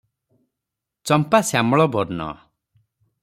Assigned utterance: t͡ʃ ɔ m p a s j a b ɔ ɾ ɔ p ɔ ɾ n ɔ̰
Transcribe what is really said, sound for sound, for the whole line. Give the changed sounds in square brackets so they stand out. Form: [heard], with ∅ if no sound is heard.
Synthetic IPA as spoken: t͡ʃ ɔ m p a s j a [m] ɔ [ɭ] ɔ [b] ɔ ɾ n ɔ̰

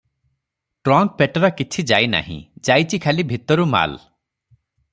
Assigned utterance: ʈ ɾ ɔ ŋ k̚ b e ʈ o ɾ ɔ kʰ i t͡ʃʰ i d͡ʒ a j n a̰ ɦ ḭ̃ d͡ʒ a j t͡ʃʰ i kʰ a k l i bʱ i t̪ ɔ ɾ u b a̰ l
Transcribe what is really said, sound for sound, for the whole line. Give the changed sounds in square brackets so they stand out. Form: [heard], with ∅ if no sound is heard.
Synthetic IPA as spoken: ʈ ɾ ɔ ŋ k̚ [p] e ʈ [ɔ] ɾ ɔ [k] i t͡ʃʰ i d͡ʒ a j n a̰ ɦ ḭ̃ d͡ʒ a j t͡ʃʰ i kʰ a [∅] l i bʱ i t̪ ɔ ɾ u [m] a̰ l

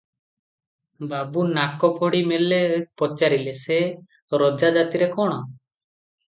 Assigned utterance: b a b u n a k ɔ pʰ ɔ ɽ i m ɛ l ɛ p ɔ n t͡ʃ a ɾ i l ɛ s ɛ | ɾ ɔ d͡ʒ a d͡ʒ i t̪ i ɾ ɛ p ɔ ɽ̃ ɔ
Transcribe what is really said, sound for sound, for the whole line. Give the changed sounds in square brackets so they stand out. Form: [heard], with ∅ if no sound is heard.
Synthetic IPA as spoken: b a b u n a k ɔ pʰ ɔ ɽ i m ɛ l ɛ p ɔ [∅] t͡ʃ a ɾ i l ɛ s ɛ | ɾ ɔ d͡ʒ a d͡ʒ [a] t̪ i ɾ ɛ [k] ɔ ɽ̃ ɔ

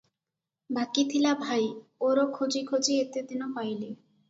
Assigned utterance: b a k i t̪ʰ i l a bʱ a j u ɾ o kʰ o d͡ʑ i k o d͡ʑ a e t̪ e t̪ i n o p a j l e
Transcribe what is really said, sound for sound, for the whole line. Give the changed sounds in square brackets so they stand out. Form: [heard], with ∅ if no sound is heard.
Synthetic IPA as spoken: b a k i t̪ʰ i l a bʱ a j [o] ɾ o kʰ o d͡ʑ i [kʰ] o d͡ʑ [i] e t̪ e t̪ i n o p a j l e

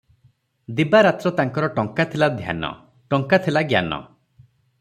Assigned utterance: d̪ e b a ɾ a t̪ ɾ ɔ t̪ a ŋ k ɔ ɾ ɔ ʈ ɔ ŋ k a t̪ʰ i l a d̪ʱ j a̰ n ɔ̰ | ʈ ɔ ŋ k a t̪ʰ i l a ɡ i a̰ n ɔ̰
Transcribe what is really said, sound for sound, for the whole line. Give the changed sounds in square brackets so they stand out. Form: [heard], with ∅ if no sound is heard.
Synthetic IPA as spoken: d̪ [i] b a ɾ a t̪ ɾ ɔ t̪ a ŋ k ɔ ɾ ɔ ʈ ɔ ŋ k a t̪ʰ i l a d̪ʱ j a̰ n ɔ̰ | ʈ ɔ ŋ k a t̪ʰ i l a ɡ [j] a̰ n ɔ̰

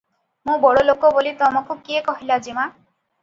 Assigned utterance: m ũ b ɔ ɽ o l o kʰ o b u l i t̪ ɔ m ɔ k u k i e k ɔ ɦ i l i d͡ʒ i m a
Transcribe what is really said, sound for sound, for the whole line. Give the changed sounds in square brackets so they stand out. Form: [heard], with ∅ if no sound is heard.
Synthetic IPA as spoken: m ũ b ɔ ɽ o l o [k] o b [o] l i t̪ ɔ m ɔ k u k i e k ɔ ɦ i l [a] d͡ʒ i m a

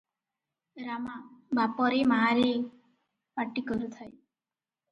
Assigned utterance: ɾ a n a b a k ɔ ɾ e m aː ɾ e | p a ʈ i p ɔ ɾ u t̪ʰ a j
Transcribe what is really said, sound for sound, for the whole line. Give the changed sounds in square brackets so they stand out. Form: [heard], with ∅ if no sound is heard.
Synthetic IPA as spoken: ɾ a [m] a b a [p] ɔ ɾ e m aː ɾ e | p a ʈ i [k] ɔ ɾ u t̪ʰ a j

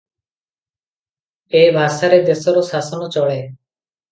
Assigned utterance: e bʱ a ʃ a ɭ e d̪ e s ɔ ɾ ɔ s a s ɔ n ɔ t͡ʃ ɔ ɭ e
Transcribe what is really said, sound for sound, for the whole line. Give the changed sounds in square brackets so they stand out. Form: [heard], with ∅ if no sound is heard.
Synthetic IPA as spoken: e bʱ a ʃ a [ɾ] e d̪ e s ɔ ɾ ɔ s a s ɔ n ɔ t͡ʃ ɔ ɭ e

